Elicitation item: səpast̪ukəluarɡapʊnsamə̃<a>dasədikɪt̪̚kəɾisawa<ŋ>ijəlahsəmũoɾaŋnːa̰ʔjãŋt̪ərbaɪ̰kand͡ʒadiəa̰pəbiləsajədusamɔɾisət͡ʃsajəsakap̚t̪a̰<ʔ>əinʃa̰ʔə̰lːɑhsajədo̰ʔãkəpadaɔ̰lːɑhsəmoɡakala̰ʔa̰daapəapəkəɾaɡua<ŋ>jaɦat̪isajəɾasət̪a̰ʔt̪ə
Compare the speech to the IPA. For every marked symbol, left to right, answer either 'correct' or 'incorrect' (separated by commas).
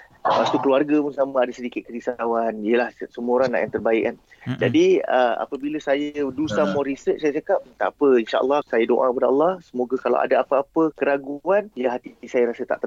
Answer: correct, incorrect, incorrect, incorrect